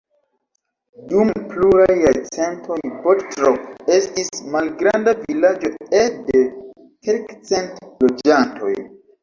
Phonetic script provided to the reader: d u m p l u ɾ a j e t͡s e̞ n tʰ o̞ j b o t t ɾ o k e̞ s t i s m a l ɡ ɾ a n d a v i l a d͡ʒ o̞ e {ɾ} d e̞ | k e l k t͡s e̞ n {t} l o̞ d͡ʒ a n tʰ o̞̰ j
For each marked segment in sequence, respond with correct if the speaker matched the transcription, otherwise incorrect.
incorrect: none, correct

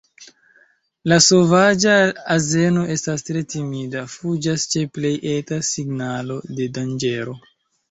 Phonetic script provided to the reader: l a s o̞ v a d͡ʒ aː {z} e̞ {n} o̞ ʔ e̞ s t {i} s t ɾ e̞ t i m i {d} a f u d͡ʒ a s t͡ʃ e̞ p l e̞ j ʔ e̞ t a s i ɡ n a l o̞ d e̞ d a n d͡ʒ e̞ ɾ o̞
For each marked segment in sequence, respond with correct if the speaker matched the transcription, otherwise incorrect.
correct, correct, incorrect: a, correct

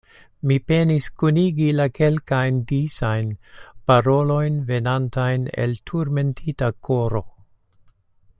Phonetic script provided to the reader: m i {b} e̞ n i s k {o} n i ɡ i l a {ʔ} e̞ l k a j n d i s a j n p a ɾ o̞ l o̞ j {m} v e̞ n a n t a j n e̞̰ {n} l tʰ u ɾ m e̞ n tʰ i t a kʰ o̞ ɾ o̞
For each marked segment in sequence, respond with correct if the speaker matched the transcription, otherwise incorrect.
incorrect: p, incorrect: u, incorrect: k, incorrect: n, incorrect: none

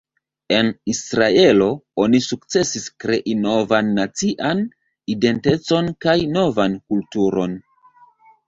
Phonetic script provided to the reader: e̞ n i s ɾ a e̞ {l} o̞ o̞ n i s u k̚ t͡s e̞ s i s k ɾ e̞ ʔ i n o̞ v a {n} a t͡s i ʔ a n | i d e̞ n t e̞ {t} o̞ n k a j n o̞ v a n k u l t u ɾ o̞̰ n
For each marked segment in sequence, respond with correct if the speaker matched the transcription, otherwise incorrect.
correct, incorrect: nː, incorrect: t͡s

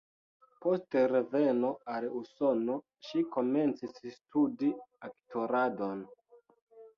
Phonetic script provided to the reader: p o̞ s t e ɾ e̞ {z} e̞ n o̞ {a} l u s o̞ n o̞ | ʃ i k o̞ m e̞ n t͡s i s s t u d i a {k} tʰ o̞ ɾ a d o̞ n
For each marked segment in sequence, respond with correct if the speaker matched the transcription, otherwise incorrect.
incorrect: v, correct, correct

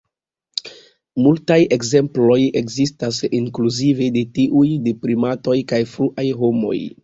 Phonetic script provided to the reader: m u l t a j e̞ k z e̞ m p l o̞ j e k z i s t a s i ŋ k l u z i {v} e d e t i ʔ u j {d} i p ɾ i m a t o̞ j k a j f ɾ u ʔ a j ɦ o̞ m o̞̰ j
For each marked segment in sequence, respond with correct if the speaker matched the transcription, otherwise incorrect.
correct, correct

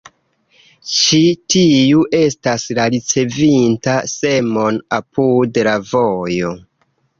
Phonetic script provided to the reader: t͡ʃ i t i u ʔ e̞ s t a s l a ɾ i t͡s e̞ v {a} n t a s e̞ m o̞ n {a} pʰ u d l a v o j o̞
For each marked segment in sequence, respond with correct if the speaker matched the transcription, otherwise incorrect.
incorrect: i, correct

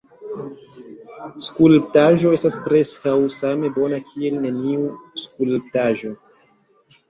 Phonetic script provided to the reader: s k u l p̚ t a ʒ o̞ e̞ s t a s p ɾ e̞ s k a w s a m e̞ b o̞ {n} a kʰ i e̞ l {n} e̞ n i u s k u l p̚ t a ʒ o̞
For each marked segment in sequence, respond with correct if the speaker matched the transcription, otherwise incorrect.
correct, correct

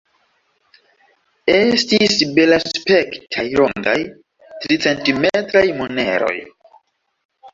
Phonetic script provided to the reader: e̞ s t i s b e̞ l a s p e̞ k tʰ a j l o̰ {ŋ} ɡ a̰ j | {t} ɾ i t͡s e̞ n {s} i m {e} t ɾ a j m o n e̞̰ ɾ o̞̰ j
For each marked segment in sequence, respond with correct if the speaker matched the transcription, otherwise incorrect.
correct, correct, incorrect: t, correct

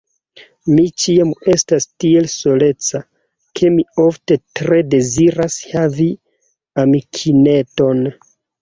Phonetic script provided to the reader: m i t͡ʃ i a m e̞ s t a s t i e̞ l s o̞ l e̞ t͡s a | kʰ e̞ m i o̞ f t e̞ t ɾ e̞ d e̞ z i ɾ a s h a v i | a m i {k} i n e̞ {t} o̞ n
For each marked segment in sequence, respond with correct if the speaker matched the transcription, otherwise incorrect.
incorrect: kʰ, correct

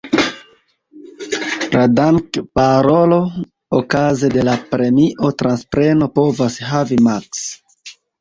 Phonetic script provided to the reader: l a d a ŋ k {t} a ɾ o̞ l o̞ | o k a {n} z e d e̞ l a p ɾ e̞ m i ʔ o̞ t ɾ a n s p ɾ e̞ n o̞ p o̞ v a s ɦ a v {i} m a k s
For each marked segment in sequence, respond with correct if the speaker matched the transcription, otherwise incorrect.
incorrect: p, incorrect: none, correct

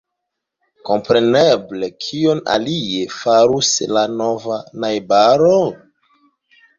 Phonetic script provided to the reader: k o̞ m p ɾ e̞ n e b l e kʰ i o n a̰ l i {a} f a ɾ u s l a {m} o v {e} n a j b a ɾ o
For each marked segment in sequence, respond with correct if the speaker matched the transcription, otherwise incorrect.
incorrect: e, incorrect: n, incorrect: a

